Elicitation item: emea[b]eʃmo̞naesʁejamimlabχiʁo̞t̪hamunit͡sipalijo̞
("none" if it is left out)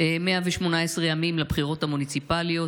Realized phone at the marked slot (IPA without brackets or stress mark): v